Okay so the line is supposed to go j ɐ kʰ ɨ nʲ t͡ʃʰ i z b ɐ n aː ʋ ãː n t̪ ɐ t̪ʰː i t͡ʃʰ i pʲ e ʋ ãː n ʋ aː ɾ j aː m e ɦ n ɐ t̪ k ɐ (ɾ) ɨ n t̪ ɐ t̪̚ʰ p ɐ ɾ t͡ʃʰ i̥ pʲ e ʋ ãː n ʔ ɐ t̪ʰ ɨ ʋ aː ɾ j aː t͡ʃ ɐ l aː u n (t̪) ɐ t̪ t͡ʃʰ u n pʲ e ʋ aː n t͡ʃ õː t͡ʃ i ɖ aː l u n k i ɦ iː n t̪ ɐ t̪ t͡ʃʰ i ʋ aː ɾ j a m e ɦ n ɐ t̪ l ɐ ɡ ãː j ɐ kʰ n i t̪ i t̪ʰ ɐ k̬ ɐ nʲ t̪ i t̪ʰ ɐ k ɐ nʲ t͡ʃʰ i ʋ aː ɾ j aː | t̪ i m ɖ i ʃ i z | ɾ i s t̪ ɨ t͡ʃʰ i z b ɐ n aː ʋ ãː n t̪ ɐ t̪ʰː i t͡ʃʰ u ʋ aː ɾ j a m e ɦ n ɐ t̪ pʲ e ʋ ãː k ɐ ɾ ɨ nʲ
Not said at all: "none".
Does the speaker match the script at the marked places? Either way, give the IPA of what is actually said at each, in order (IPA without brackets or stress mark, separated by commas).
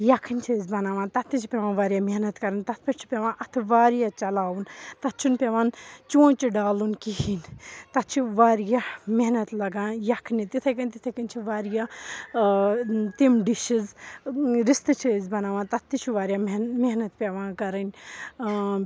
ɾ, t̪